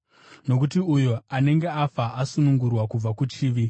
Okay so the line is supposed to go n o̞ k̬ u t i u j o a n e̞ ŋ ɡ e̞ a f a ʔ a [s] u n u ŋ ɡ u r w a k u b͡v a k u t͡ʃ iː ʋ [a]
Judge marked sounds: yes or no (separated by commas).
yes, no